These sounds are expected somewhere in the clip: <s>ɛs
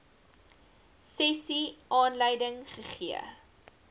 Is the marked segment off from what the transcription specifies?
no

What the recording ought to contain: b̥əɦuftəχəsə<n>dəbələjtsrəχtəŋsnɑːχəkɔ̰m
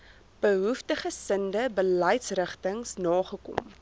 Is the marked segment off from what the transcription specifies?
no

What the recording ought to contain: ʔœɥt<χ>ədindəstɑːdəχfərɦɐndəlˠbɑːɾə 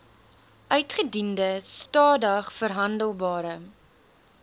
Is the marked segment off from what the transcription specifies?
no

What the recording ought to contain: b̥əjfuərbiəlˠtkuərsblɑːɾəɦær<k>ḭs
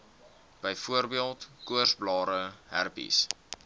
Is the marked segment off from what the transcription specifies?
yes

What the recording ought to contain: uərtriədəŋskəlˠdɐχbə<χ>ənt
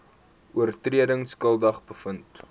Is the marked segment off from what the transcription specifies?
yes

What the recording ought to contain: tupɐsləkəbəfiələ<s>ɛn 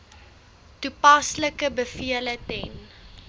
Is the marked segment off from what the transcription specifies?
yes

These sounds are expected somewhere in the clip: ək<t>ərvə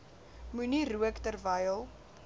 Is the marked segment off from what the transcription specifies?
no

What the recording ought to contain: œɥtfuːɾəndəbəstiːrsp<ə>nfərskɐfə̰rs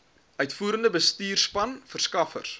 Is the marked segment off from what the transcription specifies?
yes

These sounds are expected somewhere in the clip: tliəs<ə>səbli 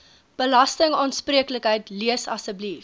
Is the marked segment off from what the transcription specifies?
yes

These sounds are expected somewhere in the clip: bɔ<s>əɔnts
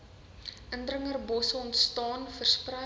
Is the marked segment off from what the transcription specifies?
no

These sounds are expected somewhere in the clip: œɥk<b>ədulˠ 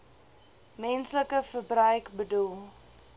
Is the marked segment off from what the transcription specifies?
no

